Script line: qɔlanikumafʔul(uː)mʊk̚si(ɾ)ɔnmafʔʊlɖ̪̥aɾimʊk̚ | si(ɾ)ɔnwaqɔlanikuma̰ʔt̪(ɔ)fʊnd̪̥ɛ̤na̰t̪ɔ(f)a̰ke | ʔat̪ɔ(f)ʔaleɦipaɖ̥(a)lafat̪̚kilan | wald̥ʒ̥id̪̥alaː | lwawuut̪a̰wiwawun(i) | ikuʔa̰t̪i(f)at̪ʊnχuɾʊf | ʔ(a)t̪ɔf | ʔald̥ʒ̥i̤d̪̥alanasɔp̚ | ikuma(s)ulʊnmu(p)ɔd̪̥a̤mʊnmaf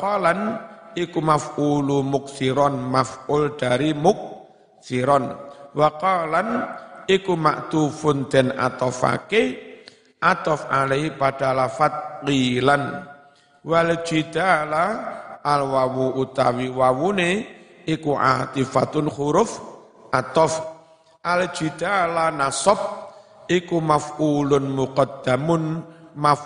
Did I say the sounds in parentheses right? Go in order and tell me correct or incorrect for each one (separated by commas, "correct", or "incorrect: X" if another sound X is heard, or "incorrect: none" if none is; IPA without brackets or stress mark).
incorrect: u, correct, correct, incorrect: u, correct, correct, correct, incorrect: e, correct, correct, incorrect: f, incorrect: q